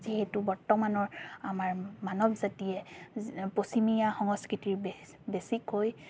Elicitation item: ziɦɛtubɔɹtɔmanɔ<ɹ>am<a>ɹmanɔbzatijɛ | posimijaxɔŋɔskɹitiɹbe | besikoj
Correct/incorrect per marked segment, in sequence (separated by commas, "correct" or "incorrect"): correct, correct